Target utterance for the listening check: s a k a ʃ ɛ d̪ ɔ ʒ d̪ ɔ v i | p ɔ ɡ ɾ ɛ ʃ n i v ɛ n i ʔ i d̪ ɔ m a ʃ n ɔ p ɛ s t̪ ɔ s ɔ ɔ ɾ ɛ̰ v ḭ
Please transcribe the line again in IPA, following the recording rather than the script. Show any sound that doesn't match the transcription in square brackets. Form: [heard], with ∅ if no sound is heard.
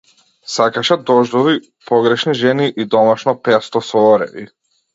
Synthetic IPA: s a k a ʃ ɛ d̪ ɔ ʒ d̪ ɔ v i | p ɔ ɡ ɾ ɛ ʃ n i [ʒ] ɛ n i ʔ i d̪ ɔ m a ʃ n ɔ p ɛ s t̪ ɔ s ɔ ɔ ɾ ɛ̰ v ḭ